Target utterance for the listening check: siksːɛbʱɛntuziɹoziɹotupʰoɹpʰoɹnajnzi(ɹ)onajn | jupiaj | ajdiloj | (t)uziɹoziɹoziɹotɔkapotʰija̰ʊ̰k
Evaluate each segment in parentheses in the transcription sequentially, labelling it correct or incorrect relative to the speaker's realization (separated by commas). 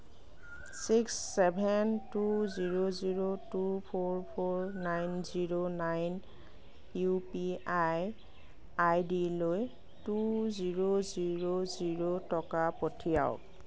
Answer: correct, correct